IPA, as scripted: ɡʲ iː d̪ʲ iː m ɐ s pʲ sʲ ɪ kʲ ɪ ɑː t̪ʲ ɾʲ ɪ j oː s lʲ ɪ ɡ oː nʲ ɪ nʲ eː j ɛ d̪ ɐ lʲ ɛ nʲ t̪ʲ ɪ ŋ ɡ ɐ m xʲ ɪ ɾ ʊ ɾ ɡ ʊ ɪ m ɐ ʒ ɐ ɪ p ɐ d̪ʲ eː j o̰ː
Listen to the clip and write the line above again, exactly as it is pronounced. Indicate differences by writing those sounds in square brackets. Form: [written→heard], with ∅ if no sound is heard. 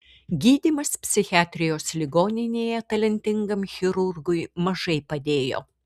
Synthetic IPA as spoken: ɡʲ iː d̪ʲ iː m ɐ s pʲ sʲ ɪ [kʲ→xʲ] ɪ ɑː t̪ʲ ɾʲ ɪ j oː s lʲ ɪ ɡ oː nʲ ɪ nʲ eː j ɛ [d̪→t̪] ɐ lʲ ɛ nʲ t̪ʲ ɪ ŋ ɡ ɐ m xʲ ɪ ɾ ʊ ɾ ɡ ʊ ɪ m ɐ ʒ ɐ ɪ p ɐ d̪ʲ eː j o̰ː